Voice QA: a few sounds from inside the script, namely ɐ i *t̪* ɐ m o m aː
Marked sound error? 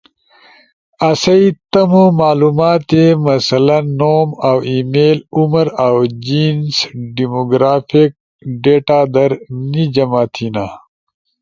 no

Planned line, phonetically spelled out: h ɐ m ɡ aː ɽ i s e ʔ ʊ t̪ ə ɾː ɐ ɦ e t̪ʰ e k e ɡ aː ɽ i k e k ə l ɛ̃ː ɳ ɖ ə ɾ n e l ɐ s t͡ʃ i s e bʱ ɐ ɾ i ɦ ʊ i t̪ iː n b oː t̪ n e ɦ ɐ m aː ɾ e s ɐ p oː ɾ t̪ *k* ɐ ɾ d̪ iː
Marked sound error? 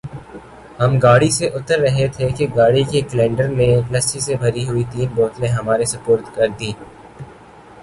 no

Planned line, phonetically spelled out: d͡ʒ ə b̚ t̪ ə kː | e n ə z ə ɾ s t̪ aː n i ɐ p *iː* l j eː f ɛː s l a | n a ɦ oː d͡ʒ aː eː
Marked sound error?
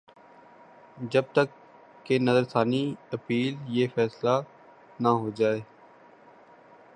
no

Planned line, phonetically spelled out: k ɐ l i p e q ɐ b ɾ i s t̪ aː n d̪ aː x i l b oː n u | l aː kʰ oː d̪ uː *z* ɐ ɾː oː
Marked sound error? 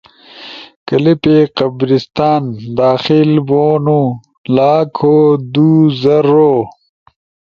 no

